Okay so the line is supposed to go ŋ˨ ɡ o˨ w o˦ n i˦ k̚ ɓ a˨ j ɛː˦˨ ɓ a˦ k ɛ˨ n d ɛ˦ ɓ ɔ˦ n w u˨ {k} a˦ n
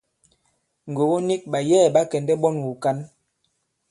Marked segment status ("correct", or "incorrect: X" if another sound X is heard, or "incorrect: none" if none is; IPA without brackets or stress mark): correct